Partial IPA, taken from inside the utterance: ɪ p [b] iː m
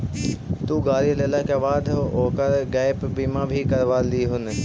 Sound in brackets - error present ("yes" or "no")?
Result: no